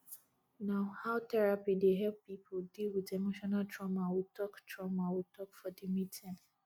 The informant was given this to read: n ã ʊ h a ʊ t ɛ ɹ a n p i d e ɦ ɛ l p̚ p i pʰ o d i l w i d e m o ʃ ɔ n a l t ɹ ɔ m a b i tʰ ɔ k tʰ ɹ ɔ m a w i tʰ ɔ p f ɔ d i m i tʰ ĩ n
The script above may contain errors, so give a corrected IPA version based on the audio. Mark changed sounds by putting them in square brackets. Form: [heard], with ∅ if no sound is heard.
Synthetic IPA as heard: n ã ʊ h a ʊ t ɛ ɹ a [∅] p i d e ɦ ɛ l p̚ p i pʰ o d i l w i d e m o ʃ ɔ n a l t ɹ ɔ m a [w] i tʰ ɔ k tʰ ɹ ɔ m a w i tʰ ɔ [k] f ɔ d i m i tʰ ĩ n